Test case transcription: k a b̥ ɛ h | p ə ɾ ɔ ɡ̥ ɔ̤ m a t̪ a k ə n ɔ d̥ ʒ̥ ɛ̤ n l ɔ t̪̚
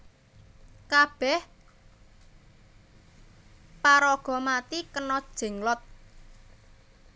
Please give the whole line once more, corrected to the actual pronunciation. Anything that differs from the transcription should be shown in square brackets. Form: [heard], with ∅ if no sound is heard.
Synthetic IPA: k a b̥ ɛ h | p [a] ɾ ɔ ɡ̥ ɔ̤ m a t̪ [i] k ə n ɔ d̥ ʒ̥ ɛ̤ [ŋ] l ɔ t̪̚